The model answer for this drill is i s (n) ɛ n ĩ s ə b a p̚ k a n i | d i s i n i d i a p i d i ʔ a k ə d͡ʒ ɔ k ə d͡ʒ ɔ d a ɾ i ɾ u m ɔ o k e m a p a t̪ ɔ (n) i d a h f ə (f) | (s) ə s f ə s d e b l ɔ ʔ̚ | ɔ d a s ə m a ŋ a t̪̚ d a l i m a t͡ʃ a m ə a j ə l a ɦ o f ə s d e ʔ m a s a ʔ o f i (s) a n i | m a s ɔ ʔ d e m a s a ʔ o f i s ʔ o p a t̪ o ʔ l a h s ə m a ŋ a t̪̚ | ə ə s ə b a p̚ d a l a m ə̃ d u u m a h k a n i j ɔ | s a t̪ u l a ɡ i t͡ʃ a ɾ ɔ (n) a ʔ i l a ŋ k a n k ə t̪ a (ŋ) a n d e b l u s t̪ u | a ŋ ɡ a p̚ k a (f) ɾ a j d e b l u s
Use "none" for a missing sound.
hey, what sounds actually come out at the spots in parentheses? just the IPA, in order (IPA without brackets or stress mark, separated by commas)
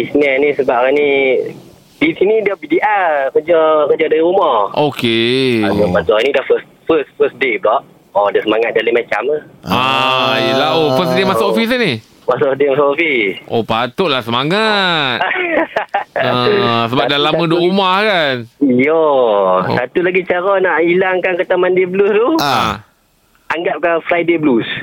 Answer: n, n, s, f, s, n, m, f